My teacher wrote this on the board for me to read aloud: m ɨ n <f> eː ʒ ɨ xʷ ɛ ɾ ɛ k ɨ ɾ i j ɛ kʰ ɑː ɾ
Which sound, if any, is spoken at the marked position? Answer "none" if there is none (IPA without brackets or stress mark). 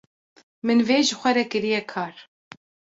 v